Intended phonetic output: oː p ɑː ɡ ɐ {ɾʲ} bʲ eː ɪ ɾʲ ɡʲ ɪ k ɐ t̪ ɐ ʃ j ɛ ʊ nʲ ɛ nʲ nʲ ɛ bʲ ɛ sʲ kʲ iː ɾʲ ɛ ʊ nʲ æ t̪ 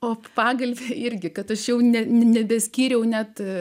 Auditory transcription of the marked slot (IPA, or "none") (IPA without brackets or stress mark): lʲ